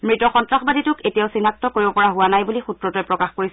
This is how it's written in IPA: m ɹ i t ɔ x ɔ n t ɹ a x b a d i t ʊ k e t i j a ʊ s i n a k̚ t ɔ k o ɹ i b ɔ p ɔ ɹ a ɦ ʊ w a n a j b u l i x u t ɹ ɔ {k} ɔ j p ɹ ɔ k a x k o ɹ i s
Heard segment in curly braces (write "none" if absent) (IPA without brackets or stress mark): t